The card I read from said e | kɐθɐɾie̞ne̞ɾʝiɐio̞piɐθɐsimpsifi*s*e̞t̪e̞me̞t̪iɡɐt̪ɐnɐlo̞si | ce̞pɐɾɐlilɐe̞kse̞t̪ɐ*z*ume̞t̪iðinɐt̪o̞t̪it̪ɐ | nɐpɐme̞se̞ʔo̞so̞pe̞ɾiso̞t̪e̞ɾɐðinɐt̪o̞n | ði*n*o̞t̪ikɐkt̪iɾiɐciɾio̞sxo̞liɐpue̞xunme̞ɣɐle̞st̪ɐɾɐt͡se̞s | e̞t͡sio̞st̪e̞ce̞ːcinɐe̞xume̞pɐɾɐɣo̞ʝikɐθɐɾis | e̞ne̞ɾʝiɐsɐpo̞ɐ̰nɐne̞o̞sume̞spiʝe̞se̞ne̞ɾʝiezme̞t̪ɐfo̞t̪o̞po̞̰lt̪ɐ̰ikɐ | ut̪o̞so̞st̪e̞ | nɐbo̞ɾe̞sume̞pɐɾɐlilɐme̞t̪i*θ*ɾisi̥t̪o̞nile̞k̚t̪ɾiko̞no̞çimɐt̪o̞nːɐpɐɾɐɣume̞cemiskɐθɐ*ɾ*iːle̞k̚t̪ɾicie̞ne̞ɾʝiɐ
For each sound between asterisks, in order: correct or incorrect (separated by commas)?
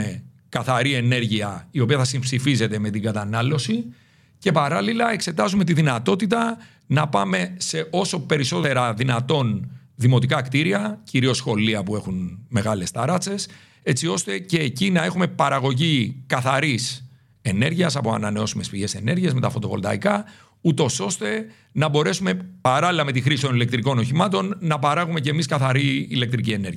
incorrect, correct, incorrect, incorrect, correct